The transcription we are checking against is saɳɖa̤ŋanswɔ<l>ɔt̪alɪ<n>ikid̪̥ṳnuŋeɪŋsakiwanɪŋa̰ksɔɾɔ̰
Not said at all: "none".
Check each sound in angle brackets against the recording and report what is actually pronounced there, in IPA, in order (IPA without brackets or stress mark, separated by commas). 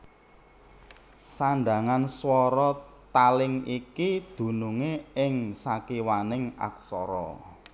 ɾ, ŋ